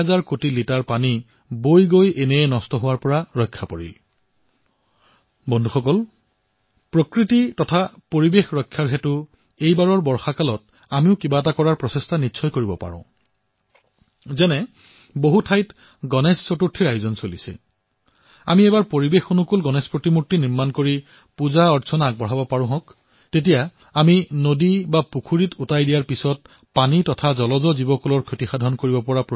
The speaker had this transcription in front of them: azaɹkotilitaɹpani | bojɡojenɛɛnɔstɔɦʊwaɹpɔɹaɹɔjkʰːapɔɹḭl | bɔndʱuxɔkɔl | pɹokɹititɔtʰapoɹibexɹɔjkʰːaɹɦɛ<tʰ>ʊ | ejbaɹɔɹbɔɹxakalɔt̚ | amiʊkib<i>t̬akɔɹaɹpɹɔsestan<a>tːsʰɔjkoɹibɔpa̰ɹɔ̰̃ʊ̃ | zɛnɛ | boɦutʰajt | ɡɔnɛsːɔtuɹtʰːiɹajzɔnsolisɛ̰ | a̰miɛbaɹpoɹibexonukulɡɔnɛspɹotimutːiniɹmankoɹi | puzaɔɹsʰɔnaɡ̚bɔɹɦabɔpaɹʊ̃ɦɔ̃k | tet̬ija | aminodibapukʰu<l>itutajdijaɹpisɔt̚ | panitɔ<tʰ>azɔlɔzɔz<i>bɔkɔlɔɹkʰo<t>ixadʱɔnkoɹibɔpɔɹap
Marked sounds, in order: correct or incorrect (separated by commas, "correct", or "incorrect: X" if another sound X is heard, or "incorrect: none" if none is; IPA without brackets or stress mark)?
incorrect: t, incorrect: a, incorrect: i, incorrect: ɹ, correct, correct, correct